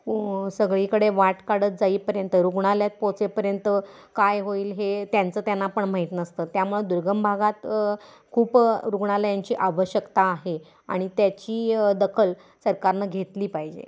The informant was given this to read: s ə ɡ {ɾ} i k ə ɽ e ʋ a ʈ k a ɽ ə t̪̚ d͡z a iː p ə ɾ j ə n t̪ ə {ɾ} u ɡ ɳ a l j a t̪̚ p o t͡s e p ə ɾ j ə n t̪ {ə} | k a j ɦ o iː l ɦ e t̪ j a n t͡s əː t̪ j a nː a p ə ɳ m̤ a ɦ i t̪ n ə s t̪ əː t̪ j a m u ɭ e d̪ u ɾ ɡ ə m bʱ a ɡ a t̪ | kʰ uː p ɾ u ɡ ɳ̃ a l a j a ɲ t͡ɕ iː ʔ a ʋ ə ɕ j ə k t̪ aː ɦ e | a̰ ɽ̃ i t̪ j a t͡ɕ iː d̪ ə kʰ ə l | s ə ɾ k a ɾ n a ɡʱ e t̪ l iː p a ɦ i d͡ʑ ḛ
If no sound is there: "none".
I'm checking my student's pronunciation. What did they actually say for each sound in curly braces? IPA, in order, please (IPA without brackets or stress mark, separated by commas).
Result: ɭ, ɾ, ə